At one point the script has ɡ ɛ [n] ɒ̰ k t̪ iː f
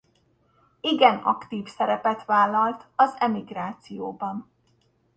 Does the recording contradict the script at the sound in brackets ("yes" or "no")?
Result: no